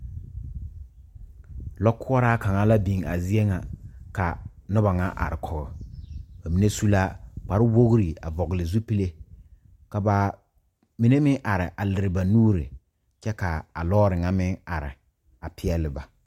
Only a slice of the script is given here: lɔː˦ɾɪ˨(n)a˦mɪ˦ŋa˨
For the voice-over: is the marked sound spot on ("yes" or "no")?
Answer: no